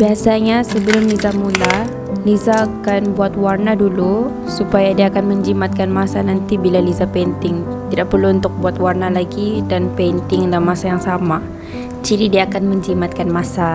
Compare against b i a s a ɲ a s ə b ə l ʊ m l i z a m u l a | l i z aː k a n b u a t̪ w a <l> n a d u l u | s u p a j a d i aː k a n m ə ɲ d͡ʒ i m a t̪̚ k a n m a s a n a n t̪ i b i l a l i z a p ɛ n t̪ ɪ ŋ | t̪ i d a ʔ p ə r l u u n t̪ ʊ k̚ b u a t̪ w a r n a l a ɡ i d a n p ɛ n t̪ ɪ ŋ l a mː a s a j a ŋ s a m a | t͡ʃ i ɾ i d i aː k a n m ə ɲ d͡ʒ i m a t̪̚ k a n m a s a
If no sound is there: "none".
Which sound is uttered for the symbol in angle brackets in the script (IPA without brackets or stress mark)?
r